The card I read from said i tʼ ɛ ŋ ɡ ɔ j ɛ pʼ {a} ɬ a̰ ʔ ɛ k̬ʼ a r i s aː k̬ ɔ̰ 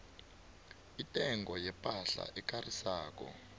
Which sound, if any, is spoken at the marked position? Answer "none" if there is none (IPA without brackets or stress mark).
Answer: a